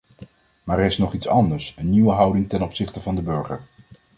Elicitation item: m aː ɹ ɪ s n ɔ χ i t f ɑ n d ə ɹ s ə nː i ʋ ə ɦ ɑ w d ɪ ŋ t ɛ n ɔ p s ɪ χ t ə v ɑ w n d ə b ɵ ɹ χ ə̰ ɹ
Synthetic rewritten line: m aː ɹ ɪ s n ɔ χ i t s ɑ n d ə ɹ s ə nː i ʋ ə ɦ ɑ w d ɪ ŋ t ɛ n ɔ p s ɪ χ t ə v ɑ n d ə b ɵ ɹ χ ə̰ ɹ